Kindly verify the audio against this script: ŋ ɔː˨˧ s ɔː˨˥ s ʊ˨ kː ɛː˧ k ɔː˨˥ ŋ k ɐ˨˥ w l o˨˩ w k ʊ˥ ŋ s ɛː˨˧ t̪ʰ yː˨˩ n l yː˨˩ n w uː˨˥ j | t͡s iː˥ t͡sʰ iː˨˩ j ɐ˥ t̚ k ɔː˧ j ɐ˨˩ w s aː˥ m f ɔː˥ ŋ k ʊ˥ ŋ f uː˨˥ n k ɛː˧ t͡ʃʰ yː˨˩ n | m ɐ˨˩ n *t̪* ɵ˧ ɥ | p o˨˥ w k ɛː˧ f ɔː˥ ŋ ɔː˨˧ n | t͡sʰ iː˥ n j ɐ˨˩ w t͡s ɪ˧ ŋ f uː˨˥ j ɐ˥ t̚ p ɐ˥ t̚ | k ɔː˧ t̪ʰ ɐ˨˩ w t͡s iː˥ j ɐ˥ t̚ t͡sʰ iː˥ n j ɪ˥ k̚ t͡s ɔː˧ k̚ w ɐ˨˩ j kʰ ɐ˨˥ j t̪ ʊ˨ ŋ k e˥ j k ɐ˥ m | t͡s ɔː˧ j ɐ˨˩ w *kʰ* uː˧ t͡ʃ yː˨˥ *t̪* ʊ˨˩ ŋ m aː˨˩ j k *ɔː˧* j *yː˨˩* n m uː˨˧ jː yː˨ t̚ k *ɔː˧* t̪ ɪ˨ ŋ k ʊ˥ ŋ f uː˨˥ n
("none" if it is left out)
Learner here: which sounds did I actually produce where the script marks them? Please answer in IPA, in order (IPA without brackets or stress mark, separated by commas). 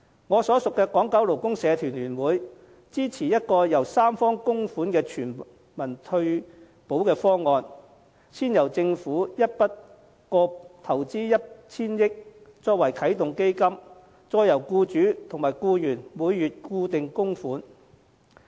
t̪ʰ, k, t̪ʰ, uː˧, yː˨˩, uː˧